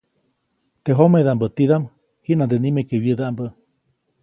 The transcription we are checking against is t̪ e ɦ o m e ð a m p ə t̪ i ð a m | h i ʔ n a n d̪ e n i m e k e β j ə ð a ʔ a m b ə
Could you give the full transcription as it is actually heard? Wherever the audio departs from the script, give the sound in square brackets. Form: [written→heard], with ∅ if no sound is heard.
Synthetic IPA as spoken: t̪ e ɦ o m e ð a m [p→b] ə t̪ i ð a m | h i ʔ n a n d̪ e n i m e k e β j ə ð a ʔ a m b ə